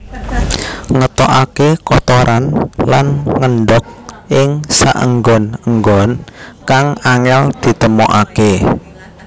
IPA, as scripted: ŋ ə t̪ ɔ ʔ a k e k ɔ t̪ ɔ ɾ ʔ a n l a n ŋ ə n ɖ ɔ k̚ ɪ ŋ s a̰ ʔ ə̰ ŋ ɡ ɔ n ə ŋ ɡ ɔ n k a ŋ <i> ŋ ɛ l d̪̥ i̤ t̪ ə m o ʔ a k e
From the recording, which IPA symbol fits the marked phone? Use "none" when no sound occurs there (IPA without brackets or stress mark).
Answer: a